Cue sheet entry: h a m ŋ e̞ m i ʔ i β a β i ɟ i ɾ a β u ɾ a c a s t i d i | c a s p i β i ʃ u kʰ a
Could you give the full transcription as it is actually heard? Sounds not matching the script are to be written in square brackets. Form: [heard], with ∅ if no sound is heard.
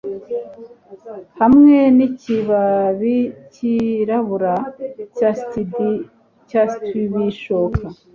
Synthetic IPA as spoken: h a m ŋ e̞ [n] i [c] i β a β i [c] i ɾ a β u ɾ a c a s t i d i | c a s [t] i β i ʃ [o] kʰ a